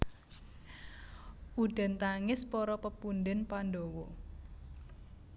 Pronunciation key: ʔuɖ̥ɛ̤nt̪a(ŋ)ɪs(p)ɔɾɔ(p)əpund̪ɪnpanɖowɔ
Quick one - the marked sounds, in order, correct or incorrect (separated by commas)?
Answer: correct, correct, correct